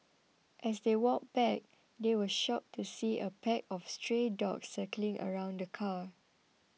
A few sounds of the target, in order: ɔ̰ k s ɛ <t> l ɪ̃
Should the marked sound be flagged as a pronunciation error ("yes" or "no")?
yes